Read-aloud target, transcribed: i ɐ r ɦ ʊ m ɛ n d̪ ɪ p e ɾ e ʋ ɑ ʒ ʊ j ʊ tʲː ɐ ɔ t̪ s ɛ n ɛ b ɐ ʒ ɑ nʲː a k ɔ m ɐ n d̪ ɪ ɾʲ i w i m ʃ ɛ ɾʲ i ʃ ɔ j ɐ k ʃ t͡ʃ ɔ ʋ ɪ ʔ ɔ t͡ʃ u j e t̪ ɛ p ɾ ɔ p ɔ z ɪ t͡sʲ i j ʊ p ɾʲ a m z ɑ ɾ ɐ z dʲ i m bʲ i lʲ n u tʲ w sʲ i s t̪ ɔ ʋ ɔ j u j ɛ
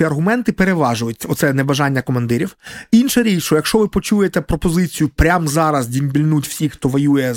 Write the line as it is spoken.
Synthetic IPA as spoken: i ɐ r ɦ ʊ m ɛ n t̪ ɪ p e ɾ e ʋ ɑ ʒ ʊ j ʊ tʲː ɐ ɔ t̪ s ɛ n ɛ b ɐ ʒ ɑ nʲː ɐ k ɔ m ɐ n d̪ ɪ ɾʲ i w i n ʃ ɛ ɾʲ i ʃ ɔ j ɐ k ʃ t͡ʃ ɔ ʋ ɪ p ɔ t͡ʃ u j e t̪ ɛ p ɾ ɔ p ɔ z ɪ t͡sʲ i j ʊ p ɾʲ a m z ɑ ɾ ɐ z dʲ i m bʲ i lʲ n u tʲ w sʲ i x t̪ ɔ ʋ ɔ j u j ɛ